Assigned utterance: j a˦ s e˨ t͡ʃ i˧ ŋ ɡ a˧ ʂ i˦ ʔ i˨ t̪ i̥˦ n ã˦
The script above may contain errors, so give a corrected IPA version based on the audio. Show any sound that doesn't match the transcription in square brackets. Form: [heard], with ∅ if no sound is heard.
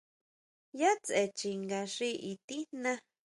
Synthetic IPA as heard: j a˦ [t͡s] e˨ t͡ʃ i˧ ŋ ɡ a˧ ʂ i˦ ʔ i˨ t̪ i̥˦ n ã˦